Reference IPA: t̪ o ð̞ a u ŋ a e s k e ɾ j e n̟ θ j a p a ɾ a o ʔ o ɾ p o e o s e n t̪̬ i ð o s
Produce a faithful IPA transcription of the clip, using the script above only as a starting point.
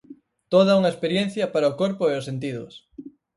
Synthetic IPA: t̪ o ð̞ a u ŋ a e s p e ɾ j e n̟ θ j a p a ɾ a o k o ɾ p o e o s e n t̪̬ i ð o s